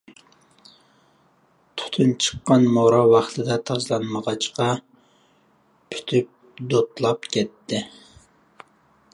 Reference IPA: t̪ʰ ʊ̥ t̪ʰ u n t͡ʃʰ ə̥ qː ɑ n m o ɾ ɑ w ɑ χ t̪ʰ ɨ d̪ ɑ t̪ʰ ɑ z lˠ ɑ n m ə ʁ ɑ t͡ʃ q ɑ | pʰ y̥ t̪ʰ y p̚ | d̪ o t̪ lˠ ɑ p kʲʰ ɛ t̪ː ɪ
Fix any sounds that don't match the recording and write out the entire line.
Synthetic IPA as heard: t̪ʰ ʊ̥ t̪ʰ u n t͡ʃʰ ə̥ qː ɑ n m o ɾ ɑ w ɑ χ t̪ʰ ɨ d̪ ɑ t̪ʰ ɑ z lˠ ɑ n m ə ʁ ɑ t͡ʃ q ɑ | pʰ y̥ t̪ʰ y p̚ | d̪ o t̪ lˠ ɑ p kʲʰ ɛ t̪ː ɪ